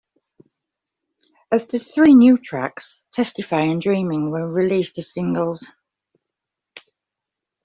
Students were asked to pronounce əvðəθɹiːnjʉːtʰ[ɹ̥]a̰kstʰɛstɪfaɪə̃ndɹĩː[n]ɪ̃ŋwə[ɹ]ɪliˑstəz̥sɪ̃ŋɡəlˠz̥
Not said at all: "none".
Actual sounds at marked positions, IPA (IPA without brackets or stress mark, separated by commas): ɹ̥, m, ɹ